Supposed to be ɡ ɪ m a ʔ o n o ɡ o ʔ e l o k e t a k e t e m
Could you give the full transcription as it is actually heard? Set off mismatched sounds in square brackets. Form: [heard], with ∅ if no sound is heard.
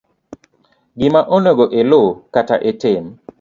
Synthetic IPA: ɡ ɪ m a ʔ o n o ɡ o ʔ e l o k [a] t a [ʔ] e t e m